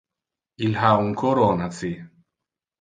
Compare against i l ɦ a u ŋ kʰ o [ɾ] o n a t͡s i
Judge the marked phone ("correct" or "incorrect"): correct